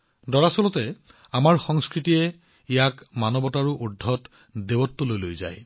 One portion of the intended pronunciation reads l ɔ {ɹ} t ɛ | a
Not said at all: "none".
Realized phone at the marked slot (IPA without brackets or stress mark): none